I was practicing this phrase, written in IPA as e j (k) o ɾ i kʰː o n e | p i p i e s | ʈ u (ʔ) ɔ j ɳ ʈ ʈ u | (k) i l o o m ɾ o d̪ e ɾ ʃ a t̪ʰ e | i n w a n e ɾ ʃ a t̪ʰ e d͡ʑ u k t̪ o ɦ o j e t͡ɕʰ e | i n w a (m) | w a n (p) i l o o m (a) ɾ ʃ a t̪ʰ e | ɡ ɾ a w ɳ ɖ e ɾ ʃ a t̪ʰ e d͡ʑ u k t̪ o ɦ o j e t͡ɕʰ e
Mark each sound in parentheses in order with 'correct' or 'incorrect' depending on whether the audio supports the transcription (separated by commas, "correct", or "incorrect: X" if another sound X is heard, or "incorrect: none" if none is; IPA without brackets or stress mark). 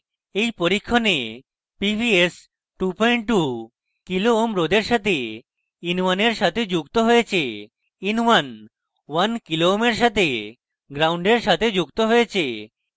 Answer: incorrect: p, incorrect: p, correct, incorrect: n, incorrect: k, incorrect: e